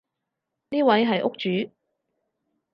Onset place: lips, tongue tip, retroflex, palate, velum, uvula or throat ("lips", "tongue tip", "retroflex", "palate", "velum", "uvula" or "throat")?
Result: tongue tip